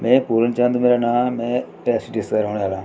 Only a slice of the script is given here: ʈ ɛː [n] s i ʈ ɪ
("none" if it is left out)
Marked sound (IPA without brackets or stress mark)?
none